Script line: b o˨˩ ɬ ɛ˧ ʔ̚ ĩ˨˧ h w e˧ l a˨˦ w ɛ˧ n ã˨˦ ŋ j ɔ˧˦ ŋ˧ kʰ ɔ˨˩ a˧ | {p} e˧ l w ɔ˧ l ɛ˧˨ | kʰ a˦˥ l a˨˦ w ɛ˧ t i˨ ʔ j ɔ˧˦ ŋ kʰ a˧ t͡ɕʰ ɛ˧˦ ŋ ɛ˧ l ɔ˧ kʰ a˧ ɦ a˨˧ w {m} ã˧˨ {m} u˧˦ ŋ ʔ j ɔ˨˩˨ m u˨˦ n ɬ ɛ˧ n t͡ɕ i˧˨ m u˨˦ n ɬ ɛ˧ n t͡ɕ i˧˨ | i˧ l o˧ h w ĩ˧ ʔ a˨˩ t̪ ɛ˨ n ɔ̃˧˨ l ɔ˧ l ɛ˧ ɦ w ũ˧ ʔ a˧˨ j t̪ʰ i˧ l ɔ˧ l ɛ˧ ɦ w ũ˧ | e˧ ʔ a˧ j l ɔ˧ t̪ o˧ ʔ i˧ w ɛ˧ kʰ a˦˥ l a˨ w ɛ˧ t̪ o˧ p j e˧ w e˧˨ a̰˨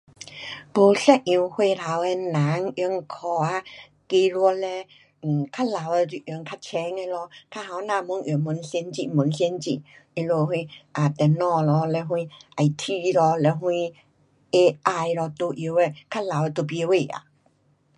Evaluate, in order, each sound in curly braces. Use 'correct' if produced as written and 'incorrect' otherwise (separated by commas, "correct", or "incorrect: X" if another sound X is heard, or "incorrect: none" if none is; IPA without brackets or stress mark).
incorrect: k, incorrect: n, correct